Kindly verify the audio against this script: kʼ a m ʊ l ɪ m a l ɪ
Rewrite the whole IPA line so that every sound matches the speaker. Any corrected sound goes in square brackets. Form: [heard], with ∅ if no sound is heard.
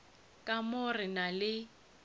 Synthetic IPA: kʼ a m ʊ [r] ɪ [n] a l ɪ